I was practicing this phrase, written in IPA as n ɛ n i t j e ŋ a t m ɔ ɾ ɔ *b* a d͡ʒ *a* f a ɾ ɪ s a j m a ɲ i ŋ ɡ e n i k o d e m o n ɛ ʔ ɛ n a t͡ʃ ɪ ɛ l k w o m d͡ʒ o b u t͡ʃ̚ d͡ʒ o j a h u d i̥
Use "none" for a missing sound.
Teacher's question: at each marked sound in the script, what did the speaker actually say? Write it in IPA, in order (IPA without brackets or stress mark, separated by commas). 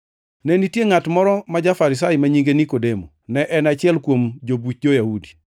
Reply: m, a